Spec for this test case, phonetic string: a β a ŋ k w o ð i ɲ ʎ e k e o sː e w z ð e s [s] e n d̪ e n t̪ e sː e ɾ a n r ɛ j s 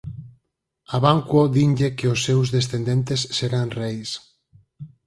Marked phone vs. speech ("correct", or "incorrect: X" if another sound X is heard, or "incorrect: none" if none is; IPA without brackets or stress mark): incorrect: θ